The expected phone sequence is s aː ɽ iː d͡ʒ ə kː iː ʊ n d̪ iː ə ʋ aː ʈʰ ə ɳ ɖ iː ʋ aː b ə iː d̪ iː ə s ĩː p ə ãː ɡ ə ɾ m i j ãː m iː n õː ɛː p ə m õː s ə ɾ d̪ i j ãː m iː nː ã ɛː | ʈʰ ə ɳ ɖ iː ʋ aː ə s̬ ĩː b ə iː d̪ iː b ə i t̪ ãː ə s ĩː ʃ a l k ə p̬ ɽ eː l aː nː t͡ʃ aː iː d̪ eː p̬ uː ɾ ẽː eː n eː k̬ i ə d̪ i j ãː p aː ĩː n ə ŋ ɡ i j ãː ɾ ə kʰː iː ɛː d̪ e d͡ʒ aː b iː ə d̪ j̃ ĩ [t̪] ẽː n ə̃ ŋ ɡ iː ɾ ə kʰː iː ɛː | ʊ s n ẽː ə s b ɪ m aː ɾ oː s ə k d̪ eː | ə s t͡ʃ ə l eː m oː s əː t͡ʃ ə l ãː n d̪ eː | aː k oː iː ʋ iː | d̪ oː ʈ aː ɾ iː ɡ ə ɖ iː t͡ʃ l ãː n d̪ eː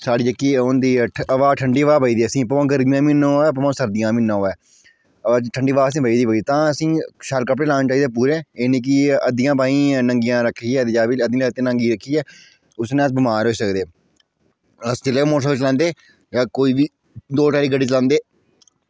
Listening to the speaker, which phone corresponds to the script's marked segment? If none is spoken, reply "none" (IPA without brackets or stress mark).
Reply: t̪